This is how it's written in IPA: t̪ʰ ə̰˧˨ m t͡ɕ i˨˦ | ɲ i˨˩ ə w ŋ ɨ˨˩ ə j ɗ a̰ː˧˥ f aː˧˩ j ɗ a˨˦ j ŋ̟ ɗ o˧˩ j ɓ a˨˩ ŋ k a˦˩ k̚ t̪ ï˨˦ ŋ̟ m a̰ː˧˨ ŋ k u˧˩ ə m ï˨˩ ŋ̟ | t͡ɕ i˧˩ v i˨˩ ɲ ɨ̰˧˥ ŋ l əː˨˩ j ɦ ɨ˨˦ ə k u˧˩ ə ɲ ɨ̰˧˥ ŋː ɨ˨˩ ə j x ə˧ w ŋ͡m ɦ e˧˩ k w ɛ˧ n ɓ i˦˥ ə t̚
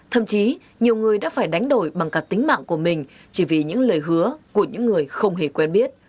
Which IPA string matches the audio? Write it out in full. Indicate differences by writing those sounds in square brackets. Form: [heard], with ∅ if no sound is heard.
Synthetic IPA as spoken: t̪ʰ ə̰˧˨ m t͡ɕ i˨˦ | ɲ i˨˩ ə w ŋ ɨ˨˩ ə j ɗ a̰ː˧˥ f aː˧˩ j ɗ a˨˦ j ŋ̟ ɗ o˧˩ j ɓ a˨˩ ŋ k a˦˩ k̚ t̪ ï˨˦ ŋ̟ m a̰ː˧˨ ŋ k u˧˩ ə m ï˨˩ ŋ̟ | t͡ɕ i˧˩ v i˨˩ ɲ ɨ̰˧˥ ŋ l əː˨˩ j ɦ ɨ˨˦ ə k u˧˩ ə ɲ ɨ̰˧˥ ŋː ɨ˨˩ ə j x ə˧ w ŋ͡m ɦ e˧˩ k w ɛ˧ n ɓ i˦˥ ə t̚